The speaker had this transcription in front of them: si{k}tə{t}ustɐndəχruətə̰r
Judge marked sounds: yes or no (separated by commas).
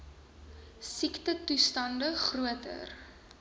yes, yes